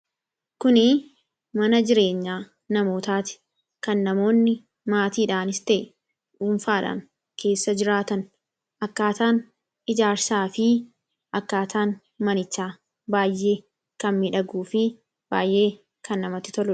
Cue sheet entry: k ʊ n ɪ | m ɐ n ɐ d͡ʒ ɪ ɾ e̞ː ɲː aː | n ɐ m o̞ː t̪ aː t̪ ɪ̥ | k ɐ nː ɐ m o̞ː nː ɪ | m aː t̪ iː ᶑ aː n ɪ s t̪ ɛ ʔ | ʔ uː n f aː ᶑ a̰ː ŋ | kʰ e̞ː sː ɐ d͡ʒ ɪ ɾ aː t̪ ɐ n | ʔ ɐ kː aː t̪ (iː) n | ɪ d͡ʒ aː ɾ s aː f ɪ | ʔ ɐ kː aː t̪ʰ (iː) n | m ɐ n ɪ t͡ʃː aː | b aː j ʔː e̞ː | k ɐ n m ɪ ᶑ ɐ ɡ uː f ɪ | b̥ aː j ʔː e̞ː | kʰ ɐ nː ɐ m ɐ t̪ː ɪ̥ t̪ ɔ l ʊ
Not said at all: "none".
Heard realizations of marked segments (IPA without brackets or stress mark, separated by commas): aː, aː